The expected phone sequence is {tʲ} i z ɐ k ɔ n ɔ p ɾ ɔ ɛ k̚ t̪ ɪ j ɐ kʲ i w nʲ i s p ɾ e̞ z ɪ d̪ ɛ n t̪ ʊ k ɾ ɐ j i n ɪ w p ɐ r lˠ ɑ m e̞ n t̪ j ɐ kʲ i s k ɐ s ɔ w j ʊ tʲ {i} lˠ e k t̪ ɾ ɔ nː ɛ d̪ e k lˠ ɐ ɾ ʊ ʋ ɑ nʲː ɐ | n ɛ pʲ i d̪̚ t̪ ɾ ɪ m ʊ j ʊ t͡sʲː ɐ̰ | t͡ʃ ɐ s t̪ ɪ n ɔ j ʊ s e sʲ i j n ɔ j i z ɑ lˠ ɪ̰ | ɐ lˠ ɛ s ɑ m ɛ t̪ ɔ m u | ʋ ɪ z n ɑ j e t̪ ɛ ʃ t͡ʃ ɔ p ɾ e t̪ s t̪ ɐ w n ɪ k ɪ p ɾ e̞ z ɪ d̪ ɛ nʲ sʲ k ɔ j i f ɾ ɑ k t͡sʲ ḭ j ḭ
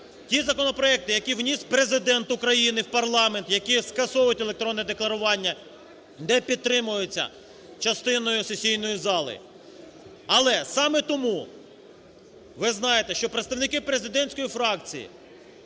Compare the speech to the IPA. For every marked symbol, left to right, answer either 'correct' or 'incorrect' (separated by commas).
correct, incorrect